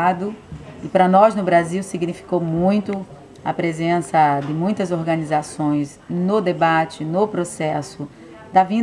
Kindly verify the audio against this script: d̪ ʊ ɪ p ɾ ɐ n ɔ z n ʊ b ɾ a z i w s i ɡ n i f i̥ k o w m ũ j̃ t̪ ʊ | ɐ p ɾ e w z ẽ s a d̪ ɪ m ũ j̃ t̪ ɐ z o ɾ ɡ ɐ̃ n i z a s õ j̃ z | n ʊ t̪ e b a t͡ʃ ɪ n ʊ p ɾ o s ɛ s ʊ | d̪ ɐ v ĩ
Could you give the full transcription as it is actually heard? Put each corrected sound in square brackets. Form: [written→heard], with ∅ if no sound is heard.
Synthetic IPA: d̪ ʊ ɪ p ɾ ɐ n ɔ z n ʊ b ɾ a z i w s i ɡ n i f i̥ k o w m ũ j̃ t̪ ʊ | ɐ p ɾ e [w→∅] z ẽ s [a→ɐ] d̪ ɪ m ũ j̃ t̪ ɐ z o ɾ ɡ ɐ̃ n i z a s õ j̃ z | n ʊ [t̪→d̪] e b a t͡ʃ ɪ n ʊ p ɾ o s ɛ s ʊ | d̪ ɐ v ĩ